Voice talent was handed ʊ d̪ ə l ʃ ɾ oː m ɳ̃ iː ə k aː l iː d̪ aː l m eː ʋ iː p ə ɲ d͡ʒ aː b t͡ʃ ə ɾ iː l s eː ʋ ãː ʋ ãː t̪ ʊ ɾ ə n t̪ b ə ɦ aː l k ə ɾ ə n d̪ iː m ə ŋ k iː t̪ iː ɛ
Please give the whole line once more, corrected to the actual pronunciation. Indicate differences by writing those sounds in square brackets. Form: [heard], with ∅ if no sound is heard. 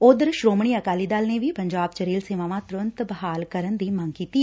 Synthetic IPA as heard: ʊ d̪ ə [ɾ] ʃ ɾ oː m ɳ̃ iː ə k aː l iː d̪ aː l [n] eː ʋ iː p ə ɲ d͡ʒ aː b t͡ʃ ə ɾ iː l s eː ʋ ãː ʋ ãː t̪ ʊ ɾ ə n t̪ b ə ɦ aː l k ə ɾ ə n d̪ iː m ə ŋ k iː t̪ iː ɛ